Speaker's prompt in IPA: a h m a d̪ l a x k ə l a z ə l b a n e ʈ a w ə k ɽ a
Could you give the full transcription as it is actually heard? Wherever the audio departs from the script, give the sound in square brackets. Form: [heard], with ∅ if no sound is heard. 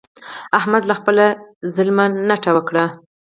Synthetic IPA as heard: a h m a d̪ l a x [p] ə l a z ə l [m] a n [a] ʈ a w ə k ɽ a